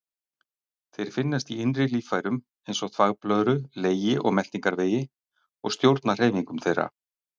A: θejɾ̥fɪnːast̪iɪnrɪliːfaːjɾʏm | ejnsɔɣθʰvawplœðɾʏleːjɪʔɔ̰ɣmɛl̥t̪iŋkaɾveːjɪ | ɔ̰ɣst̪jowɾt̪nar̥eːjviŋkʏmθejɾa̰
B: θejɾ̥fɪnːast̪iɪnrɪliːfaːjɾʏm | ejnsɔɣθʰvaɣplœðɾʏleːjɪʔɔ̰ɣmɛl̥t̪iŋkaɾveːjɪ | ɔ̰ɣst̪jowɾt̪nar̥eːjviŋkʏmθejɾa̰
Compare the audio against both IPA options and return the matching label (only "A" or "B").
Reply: B